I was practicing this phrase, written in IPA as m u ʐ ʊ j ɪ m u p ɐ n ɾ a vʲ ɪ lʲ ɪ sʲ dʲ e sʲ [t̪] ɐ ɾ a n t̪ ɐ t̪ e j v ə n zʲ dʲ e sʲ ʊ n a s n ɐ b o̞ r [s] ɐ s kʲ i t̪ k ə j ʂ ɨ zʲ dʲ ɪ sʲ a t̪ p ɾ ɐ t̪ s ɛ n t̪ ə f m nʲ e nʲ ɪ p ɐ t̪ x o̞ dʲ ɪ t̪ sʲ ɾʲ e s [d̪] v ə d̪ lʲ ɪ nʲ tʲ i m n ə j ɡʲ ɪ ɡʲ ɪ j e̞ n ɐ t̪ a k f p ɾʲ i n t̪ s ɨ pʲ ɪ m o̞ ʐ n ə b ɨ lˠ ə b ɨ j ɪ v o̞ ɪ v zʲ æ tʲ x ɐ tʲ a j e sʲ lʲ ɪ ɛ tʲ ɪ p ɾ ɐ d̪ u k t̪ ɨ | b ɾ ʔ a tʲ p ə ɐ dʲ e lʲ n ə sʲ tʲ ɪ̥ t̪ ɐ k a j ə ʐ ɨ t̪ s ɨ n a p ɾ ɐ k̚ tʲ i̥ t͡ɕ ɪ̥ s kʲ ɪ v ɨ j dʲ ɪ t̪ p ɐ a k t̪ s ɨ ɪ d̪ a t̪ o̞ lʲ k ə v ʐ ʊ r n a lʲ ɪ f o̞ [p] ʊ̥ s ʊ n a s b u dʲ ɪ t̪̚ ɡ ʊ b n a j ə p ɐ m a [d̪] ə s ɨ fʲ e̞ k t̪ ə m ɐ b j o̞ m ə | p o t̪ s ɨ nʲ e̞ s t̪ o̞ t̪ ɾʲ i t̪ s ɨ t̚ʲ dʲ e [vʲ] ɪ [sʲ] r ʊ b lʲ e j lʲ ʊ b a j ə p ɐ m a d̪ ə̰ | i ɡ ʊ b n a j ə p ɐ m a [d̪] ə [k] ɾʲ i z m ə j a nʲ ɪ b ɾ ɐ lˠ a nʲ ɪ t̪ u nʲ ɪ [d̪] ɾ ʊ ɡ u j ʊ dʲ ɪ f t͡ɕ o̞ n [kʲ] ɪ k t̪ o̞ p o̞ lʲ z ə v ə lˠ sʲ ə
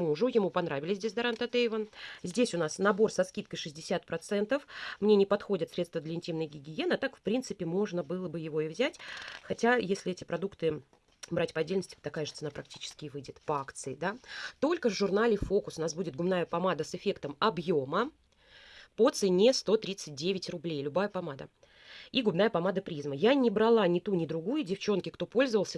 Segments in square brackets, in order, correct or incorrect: incorrect: d̪, correct, incorrect: t̪, incorrect: k, correct, correct, incorrect: tʲ, correct, incorrect: p, correct, correct

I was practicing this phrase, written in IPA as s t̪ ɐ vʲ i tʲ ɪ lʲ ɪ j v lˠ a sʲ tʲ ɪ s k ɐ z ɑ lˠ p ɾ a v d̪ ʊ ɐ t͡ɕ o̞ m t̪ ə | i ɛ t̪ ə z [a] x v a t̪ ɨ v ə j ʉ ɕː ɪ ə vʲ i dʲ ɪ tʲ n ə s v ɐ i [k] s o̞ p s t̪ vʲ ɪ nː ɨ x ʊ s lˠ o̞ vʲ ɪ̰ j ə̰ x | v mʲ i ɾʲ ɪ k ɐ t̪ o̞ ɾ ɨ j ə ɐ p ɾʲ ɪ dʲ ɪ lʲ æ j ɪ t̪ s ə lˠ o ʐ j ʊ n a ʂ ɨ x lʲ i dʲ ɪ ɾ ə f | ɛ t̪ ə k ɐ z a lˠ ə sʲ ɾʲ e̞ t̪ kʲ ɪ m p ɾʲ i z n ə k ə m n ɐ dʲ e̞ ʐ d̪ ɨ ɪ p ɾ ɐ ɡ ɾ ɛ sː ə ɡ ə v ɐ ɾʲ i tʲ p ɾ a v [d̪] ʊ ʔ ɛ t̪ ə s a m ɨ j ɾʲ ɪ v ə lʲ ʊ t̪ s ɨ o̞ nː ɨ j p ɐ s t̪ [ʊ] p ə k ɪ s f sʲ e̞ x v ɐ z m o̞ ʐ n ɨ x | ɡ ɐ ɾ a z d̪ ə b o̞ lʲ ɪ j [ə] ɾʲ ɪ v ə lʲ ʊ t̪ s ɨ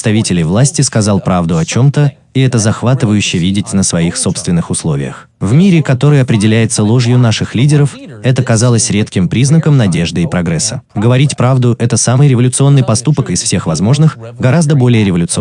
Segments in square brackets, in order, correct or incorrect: incorrect: ɐ, incorrect: x, correct, incorrect: u, correct

